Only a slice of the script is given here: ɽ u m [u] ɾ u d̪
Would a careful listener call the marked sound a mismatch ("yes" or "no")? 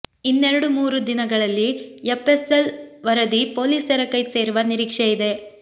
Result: yes